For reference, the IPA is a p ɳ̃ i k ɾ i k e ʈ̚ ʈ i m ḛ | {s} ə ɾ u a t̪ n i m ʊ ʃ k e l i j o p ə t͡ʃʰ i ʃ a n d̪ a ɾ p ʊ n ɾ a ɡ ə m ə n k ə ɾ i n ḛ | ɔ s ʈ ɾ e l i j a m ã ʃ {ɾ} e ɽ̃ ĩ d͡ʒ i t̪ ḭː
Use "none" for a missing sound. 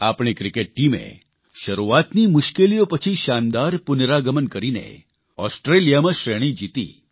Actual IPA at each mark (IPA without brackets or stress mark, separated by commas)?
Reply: ʃ, ɾ